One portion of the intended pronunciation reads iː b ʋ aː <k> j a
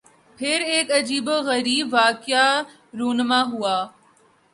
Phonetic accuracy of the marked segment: correct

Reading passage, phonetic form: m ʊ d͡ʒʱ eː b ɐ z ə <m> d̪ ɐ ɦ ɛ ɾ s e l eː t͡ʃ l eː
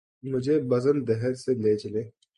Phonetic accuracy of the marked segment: incorrect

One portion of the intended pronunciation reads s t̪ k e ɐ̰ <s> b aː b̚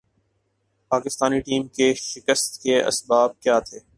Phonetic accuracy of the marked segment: correct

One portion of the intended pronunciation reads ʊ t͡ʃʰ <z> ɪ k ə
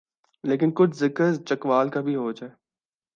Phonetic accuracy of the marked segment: correct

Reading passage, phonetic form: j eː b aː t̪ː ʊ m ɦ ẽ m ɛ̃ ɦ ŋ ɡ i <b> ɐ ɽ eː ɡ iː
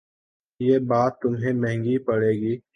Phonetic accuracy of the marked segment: incorrect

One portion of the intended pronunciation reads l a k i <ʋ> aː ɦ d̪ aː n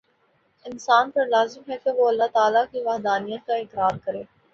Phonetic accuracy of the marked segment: correct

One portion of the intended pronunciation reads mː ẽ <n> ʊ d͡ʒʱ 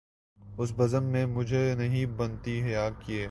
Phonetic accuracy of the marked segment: incorrect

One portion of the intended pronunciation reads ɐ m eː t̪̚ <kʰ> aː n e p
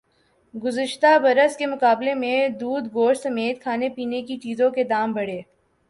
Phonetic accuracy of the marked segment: correct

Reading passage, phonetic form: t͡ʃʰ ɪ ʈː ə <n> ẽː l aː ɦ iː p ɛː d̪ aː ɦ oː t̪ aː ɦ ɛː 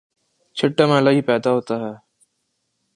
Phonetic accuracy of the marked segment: incorrect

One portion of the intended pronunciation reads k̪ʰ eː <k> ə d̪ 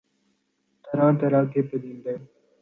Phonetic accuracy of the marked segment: incorrect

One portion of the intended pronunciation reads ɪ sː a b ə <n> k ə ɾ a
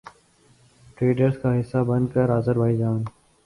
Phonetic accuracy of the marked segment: correct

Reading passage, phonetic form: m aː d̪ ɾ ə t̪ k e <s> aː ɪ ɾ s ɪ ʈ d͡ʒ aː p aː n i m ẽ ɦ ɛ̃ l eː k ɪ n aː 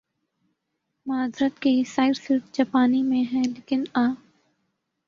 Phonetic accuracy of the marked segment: correct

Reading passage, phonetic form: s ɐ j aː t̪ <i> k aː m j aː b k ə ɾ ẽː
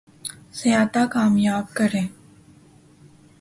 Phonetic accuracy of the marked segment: incorrect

